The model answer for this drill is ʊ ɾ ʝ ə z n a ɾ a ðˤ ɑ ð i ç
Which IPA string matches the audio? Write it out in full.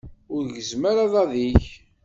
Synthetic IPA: ʊ ɾ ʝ ə z m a ɾ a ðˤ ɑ ð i ç